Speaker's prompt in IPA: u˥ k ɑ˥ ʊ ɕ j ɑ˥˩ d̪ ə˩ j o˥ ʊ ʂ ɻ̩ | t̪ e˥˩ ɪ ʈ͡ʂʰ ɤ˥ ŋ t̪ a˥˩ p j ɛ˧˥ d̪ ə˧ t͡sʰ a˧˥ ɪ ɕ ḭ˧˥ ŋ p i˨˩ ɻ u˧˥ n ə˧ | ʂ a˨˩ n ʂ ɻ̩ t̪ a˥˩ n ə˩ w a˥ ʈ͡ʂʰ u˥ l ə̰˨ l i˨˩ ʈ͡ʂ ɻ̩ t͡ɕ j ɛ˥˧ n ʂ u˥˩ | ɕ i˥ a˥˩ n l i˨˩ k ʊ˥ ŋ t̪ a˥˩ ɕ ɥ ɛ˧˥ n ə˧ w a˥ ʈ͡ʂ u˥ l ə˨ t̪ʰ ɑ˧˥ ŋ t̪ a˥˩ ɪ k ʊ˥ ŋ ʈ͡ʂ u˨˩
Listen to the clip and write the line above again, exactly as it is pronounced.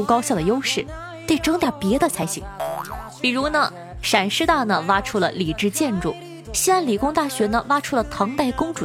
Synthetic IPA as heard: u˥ k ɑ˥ ʊ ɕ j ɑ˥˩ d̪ ə˩ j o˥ ʊ ʂ ɻ̩ | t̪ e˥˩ ɪ ʈ͡ʂ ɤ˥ ŋ t̪ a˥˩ p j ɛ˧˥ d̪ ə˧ t͡sʰ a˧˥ ɪ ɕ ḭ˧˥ ŋ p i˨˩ ɻ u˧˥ n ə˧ | ʂ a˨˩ n ʂ ɻ̩ t̪ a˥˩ n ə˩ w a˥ ʈ͡ʂʰ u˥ l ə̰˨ l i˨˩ ʈ͡ʂ ɻ̩ t͡ɕ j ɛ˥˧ n ʈ͡ʂ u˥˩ | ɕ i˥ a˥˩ n l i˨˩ k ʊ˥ ŋ t̪ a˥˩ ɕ ɥ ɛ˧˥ n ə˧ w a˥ ʈ͡ʂʰ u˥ l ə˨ t̪ʰ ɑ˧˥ ŋ t̪ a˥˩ ɪ k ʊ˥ ŋ ʈ͡ʂ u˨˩